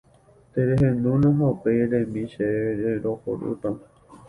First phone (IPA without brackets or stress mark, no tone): t̪